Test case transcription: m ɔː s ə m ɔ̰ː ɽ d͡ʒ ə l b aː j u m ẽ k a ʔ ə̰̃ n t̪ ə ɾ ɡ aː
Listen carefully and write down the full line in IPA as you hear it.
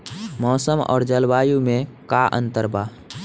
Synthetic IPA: m ɔː s ə m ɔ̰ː ɾ d͡ʒ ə l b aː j u m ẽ k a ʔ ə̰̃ n t̪ ə ɾ b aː